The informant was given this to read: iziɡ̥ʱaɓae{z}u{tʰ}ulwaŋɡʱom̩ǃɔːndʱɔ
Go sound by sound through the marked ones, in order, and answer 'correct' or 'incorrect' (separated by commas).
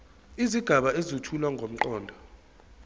correct, correct